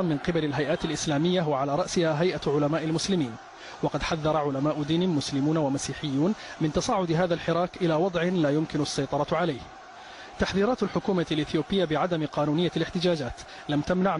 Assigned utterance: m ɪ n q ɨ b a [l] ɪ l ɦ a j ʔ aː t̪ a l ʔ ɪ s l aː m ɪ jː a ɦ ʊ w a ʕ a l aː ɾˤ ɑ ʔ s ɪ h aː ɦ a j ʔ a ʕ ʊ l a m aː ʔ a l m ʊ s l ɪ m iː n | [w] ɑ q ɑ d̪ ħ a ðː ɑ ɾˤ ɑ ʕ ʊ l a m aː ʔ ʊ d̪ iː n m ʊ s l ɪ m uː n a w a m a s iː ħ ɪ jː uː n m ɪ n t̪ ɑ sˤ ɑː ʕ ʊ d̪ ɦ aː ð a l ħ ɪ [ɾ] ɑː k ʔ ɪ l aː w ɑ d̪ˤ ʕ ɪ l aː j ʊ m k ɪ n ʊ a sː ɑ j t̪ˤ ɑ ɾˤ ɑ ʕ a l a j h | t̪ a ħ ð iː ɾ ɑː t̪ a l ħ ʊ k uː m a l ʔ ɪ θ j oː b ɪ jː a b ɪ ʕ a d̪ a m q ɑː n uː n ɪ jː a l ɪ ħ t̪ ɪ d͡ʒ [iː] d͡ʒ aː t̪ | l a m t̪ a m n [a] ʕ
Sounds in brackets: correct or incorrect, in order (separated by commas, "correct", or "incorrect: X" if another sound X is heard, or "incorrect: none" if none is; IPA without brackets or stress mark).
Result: correct, correct, correct, incorrect: aː, correct